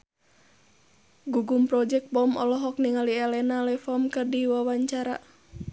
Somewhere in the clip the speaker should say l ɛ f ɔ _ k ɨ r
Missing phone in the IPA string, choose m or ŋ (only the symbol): m